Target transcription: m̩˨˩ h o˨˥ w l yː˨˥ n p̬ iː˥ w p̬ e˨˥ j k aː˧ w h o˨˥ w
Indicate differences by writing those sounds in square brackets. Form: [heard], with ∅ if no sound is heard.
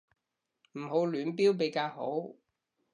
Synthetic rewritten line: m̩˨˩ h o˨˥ w l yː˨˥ n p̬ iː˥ w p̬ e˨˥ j k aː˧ w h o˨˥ w